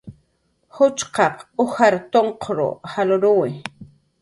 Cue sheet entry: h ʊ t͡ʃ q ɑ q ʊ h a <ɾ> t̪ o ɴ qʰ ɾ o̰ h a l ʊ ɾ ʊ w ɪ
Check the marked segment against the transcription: correct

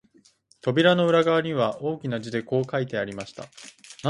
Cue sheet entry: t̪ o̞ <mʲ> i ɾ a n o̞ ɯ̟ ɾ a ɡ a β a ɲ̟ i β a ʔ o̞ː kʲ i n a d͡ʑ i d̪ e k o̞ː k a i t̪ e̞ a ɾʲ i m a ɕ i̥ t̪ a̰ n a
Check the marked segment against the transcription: incorrect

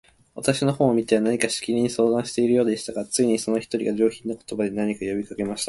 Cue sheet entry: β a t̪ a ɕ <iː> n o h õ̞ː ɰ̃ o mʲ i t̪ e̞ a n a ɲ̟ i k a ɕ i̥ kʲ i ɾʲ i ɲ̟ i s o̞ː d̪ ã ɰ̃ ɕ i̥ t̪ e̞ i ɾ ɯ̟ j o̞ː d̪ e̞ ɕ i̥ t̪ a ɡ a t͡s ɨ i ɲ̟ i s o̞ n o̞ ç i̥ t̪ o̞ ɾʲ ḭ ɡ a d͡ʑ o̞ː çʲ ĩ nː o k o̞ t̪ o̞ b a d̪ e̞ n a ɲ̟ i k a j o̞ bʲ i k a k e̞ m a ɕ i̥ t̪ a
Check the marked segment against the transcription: incorrect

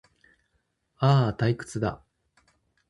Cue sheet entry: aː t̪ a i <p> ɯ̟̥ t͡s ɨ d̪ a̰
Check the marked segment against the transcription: incorrect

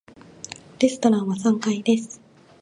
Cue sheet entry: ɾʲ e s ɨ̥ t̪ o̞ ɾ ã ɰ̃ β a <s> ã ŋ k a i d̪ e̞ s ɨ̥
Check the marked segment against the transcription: correct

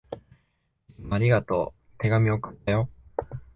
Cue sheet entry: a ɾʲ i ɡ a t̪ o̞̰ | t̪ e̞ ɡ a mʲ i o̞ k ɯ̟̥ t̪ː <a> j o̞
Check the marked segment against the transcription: correct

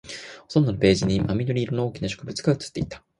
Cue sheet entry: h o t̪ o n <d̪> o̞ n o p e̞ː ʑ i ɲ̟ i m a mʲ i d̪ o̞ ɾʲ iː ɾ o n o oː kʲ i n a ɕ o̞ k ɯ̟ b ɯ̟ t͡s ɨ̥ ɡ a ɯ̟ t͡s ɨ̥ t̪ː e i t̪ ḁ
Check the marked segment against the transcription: correct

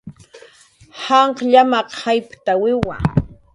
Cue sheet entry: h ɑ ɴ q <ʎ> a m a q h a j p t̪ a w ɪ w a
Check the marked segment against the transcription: correct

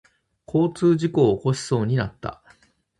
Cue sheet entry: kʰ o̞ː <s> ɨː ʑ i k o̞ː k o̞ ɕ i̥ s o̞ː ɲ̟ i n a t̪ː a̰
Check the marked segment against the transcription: incorrect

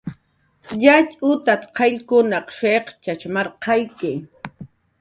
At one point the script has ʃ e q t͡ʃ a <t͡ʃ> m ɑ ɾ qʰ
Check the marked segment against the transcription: correct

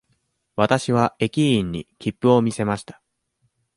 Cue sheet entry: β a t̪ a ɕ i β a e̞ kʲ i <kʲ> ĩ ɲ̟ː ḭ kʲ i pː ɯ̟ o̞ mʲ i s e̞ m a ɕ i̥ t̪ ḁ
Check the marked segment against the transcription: incorrect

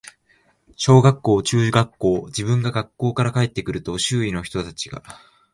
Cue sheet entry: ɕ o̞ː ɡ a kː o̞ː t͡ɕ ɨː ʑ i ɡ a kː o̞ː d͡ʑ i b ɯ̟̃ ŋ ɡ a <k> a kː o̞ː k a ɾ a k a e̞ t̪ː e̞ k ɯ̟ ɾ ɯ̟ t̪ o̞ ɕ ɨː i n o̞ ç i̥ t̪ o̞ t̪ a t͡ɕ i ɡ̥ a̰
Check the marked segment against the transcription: incorrect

